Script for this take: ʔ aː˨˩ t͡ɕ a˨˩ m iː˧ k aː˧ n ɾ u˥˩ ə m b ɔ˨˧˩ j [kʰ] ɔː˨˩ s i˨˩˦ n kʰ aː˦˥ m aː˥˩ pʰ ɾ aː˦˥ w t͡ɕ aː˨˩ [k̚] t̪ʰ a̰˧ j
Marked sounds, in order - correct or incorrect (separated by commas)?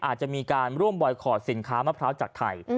correct, correct